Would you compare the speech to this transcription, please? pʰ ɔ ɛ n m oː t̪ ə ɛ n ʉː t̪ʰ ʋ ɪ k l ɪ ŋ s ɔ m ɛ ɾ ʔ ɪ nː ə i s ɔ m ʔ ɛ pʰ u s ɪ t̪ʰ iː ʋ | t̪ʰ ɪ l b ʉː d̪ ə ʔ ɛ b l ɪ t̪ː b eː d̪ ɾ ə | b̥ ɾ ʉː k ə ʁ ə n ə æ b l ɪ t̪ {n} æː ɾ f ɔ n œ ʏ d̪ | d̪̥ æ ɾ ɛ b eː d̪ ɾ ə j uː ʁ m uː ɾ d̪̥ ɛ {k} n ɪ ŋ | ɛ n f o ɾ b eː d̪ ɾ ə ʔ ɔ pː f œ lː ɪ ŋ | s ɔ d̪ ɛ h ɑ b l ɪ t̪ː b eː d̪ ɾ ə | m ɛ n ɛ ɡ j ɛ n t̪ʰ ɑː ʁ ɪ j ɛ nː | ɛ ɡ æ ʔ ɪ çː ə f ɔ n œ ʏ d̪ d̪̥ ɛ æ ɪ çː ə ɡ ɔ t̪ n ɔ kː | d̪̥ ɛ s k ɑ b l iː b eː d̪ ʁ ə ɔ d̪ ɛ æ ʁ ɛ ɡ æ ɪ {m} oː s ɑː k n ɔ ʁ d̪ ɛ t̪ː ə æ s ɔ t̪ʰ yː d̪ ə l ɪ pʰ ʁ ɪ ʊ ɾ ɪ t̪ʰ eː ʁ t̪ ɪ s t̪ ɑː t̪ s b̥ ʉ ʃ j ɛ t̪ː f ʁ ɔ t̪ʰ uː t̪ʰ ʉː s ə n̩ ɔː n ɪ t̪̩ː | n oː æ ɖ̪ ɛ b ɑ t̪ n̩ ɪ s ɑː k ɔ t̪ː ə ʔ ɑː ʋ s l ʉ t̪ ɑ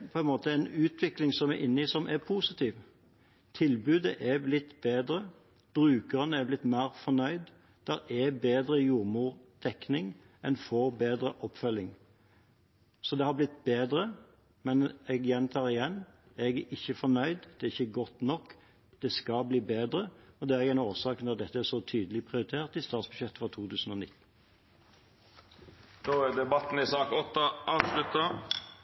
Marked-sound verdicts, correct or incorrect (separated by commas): incorrect, correct, incorrect